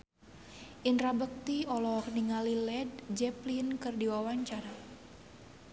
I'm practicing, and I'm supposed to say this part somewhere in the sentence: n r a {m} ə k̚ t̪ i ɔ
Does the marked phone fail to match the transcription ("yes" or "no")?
yes